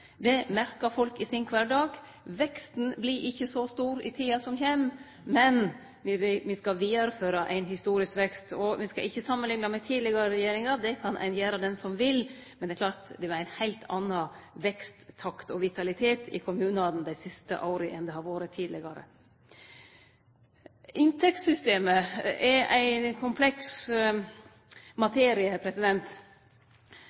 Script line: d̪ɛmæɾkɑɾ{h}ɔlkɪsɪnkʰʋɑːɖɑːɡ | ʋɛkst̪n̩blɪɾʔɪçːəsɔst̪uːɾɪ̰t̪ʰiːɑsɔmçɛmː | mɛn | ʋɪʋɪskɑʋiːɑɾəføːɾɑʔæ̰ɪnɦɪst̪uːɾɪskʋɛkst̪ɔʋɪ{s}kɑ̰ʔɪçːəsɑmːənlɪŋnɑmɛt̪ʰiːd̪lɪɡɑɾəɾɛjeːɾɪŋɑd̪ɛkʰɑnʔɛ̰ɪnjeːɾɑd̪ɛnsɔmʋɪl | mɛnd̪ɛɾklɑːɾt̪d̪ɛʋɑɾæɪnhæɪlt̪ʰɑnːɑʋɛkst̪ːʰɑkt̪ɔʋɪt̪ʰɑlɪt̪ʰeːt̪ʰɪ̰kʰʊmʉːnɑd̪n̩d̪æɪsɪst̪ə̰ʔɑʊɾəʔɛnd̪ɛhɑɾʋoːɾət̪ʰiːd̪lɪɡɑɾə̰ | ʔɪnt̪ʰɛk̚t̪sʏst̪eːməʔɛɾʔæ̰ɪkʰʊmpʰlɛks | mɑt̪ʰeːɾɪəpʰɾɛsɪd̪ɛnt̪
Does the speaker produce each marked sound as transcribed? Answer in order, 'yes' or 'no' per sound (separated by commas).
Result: no, yes